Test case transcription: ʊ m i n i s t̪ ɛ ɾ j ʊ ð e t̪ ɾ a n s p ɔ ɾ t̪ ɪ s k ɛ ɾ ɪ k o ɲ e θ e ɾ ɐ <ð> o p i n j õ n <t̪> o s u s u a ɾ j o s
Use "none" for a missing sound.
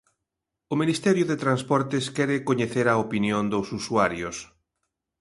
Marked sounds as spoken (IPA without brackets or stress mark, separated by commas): none, d̪